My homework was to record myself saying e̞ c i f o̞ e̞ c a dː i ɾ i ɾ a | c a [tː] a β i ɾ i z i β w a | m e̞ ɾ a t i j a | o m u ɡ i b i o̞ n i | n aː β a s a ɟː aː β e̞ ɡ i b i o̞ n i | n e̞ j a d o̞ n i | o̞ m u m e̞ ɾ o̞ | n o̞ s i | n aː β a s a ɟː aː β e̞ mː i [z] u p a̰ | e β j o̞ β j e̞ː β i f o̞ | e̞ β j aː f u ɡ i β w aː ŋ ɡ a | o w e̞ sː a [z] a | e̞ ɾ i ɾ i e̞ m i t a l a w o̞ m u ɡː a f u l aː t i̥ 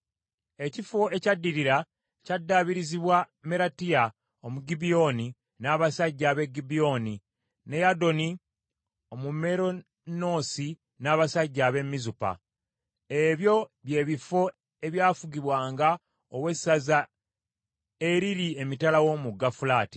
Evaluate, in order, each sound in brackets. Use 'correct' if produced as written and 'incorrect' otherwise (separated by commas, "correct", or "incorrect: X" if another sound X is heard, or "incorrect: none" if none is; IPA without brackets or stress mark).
incorrect: dː, correct, correct